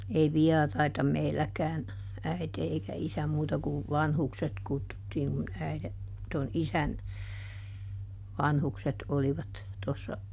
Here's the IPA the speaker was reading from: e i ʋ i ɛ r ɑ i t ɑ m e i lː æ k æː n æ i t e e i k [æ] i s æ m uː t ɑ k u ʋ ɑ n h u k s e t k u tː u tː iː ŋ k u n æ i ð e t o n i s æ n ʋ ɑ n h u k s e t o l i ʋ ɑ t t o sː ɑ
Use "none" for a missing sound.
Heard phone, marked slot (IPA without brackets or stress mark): æ